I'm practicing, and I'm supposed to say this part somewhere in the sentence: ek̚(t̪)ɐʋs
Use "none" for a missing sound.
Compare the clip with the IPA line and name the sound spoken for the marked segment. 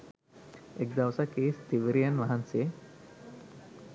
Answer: d̪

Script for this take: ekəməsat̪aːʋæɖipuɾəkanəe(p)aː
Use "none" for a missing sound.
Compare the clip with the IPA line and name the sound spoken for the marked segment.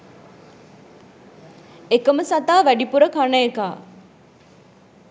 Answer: k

